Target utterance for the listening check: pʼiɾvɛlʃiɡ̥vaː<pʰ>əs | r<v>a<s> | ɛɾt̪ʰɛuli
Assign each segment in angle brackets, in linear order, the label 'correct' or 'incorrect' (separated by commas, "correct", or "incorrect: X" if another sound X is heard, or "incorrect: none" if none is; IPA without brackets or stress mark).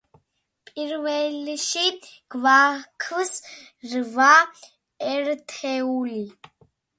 incorrect: kʰ, correct, incorrect: none